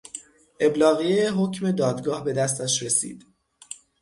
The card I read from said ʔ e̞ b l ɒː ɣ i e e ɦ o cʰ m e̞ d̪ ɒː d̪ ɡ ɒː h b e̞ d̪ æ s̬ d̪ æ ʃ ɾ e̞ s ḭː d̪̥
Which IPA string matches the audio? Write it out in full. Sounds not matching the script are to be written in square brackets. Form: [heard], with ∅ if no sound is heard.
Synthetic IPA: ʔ e̞ b l ɒː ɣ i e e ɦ o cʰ m e̞ d̪ ɒː d̪ ɡ ɒː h b e̞ d̪ æ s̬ [t̪] æ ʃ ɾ e̞ s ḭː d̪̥